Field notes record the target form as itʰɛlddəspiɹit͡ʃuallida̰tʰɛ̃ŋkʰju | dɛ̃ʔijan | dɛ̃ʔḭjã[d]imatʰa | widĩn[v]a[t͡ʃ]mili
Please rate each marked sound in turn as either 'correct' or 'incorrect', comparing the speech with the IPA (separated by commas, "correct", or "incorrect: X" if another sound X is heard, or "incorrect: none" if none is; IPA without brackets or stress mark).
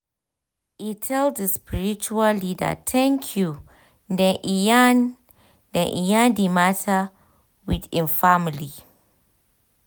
correct, incorrect: f, incorrect: none